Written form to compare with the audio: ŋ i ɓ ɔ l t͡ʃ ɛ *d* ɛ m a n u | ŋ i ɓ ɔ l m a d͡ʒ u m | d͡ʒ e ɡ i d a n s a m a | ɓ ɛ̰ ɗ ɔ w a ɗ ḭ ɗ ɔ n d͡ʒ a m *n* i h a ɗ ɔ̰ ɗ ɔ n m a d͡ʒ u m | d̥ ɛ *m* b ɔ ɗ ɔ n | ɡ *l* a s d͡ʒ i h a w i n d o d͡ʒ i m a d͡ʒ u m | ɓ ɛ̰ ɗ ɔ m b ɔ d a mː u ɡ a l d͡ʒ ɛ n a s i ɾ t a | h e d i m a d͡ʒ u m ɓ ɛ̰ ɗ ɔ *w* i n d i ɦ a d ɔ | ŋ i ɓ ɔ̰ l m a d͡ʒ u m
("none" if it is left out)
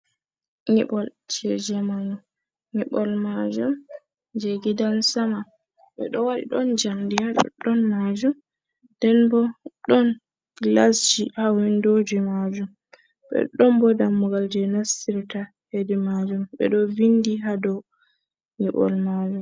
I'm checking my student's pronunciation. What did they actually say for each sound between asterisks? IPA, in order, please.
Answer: d͡ʒ, d, n, l, v

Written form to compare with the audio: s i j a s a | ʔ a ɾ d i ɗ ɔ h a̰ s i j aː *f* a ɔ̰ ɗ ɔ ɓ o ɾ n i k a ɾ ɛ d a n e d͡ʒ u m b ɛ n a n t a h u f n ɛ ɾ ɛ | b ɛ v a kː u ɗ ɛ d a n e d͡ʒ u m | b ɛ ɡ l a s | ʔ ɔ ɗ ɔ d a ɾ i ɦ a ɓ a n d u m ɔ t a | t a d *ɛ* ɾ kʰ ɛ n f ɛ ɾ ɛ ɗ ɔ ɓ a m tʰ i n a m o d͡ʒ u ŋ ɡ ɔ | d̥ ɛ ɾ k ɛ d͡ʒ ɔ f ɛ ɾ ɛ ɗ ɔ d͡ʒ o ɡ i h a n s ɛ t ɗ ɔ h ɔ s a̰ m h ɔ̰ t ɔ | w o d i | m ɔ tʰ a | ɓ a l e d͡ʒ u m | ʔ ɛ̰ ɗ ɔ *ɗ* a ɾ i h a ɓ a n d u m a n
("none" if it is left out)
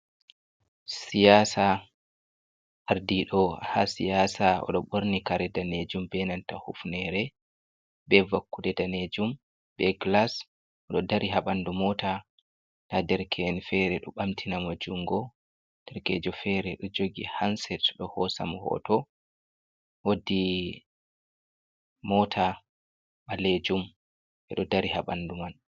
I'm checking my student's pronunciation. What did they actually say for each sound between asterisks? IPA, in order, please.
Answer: s, ɛ, d

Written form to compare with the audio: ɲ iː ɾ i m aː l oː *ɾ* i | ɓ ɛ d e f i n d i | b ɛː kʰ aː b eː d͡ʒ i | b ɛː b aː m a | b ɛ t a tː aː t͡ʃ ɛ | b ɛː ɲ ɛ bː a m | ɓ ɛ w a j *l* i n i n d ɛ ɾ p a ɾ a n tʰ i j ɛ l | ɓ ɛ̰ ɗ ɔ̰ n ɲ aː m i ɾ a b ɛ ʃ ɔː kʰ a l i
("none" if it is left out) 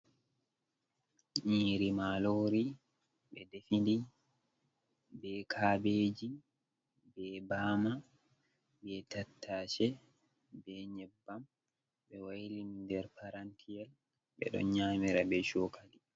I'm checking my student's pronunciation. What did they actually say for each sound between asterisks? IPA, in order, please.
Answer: ɾ, l

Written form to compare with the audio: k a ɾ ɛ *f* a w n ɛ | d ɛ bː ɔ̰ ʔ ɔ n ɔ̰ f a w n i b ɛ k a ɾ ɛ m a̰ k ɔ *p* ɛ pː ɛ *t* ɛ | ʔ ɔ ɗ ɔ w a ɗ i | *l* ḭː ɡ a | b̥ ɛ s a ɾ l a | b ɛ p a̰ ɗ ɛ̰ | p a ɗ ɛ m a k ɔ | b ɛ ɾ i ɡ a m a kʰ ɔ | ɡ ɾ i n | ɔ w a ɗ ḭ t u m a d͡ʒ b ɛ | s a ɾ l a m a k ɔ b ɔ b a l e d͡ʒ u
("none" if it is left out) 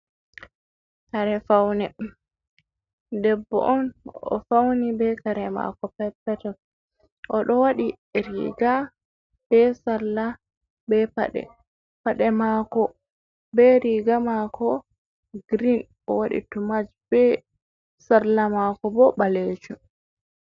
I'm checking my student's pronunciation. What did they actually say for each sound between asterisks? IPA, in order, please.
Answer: f, p, t, ɾ

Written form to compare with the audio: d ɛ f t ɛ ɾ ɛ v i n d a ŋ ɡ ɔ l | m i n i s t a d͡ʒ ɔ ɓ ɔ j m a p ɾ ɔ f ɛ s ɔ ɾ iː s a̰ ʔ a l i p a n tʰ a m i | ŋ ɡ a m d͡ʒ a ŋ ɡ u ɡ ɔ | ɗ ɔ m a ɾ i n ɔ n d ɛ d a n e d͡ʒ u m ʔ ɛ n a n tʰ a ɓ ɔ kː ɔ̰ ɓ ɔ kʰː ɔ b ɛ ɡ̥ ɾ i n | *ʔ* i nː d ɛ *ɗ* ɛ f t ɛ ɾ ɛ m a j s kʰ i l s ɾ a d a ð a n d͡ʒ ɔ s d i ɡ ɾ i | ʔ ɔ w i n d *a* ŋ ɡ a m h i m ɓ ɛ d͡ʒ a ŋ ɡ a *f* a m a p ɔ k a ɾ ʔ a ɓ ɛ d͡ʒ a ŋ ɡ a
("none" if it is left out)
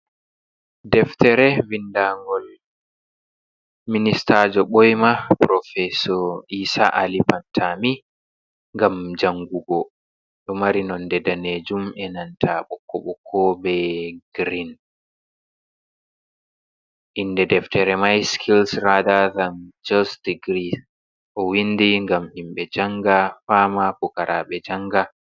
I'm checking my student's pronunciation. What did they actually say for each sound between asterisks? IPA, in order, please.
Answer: ʔ, d, i, f

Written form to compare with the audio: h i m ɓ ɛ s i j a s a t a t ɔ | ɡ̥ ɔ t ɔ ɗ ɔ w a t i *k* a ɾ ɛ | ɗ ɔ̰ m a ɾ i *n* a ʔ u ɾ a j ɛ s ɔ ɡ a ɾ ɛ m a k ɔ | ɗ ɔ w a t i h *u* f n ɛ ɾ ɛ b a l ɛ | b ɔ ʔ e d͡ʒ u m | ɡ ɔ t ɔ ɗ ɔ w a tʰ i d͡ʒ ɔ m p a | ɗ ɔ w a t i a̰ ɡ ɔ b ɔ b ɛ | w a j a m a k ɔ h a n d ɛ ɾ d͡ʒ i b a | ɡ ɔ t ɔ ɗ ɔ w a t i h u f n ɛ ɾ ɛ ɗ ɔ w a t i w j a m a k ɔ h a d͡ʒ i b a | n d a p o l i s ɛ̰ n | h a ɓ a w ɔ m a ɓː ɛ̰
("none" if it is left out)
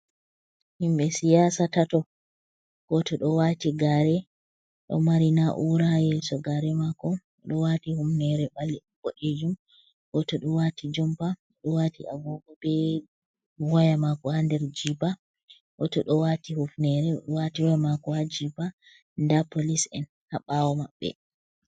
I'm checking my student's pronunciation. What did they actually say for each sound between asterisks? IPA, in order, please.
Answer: ɡ, n, u

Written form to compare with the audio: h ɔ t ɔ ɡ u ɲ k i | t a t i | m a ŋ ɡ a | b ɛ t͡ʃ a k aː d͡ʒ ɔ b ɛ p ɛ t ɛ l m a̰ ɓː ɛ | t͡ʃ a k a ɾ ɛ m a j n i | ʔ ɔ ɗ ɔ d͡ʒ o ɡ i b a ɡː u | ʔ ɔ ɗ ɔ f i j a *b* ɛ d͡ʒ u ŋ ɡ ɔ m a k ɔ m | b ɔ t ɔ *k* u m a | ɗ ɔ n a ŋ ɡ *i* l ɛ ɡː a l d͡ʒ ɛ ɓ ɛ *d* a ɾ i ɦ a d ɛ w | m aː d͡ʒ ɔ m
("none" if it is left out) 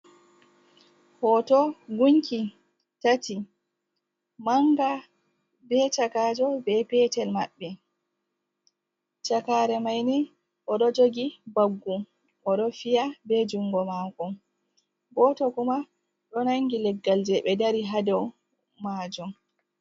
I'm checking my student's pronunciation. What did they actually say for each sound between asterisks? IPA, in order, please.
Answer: b, k, i, d

